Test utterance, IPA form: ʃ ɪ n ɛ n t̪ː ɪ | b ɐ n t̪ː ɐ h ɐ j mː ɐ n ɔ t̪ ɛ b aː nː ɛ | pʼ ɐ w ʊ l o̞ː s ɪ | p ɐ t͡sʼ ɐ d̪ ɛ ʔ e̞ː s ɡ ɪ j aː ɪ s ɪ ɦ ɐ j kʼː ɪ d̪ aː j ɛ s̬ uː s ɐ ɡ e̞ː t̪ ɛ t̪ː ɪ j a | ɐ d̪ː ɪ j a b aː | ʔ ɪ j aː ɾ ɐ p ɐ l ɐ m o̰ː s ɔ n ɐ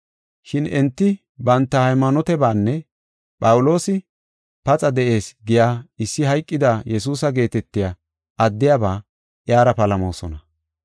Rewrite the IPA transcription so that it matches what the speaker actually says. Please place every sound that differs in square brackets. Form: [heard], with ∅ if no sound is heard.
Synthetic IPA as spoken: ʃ ɪ n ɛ n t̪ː ɪ | b ɐ n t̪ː ɐ h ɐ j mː ɐ n ɔ t̪ ɛ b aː nː ɛ | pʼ ɐ w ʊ l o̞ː s ɪ | p ɐ t͡sʼ ɐ d̪ ɛ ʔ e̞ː s ɡ ɪ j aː ɪ [sː] ɪ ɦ ɐ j kʼː ɪ d̪ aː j ɛ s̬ uː s ɐ ɡ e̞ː t̪ ɛ t̪ː ɪ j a | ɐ d̪ː ɪ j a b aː | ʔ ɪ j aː ɾ ɐ p ɐ l ɐ m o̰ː s ɔ n ɐ